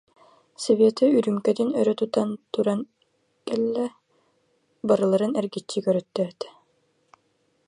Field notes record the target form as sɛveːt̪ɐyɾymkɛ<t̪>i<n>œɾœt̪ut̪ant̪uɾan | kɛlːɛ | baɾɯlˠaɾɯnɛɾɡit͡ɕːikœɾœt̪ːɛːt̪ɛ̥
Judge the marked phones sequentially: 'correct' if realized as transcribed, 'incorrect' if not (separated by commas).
incorrect, correct